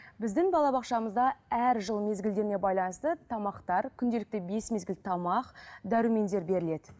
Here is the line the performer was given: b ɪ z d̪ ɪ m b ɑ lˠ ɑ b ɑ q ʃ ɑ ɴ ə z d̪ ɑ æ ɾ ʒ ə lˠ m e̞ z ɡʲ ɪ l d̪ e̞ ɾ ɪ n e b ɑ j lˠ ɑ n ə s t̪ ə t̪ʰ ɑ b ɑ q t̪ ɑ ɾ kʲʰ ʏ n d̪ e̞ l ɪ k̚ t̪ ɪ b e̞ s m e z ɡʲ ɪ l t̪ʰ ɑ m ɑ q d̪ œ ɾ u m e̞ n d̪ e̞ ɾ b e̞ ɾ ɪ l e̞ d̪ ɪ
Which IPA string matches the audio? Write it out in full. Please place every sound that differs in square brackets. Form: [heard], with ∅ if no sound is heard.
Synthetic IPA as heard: b ɪ z d̪ ɪ [ŋ] b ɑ lˠ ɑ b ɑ q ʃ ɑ [m] ə z d̪ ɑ æ ɾ ʒ ə lˠ m e̞ z ɡʲ ɪ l d̪ e̞ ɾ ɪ n e b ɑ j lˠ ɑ n ə s t̪ ə t̪ʰ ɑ [m] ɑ q t̪ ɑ ɾ kʲʰ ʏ n d̪ e̞ l ɪ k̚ t̪ ɪ b e̞ s m e z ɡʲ ɪ l t̪ʰ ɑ m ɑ q d̪ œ ɾ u m e̞ n d̪ e̞ ɾ b e̞ ɾ ɪ l e̞ d̪ ɪ